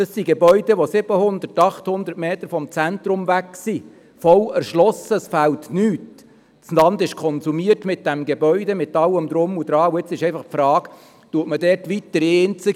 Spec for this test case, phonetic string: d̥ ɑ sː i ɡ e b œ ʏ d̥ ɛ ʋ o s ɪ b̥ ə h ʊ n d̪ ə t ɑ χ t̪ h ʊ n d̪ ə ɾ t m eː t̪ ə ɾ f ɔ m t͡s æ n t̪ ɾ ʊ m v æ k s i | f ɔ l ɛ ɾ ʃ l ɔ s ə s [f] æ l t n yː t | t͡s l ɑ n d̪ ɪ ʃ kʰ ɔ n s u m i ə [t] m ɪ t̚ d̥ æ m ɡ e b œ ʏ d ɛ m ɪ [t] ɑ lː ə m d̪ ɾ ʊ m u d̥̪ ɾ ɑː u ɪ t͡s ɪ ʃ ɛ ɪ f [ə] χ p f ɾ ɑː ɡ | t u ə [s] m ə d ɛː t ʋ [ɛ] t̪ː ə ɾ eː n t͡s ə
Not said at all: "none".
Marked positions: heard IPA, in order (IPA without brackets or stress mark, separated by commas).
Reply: f, t, t, ɑ, t, i